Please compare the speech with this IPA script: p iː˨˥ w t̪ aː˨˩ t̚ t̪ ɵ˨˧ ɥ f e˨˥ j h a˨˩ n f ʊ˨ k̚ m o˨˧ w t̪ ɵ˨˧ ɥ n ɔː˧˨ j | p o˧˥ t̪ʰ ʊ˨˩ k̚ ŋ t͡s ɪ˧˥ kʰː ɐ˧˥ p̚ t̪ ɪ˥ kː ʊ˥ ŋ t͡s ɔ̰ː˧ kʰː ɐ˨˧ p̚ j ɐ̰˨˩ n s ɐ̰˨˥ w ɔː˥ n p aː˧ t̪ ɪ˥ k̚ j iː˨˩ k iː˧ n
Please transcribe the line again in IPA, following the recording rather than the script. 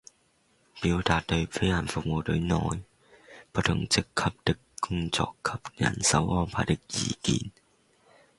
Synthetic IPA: p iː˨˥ w t̪ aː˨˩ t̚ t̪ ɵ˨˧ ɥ f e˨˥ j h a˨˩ n f ʊ˨ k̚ m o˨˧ w t̪ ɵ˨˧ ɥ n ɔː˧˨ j | p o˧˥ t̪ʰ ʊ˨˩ ŋ t͡s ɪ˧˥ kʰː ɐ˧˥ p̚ t̪ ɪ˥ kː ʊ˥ ŋ t͡s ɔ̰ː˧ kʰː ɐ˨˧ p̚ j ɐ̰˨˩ n s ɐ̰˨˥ w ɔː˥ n pʰ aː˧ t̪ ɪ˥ k̚ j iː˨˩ k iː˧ n